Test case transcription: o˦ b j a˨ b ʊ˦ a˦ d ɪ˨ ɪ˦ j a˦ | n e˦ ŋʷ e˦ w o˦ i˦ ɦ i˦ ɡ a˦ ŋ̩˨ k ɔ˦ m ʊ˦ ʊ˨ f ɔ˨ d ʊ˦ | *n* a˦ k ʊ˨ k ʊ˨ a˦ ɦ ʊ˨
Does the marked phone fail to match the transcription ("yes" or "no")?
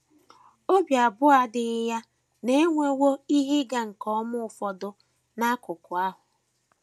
no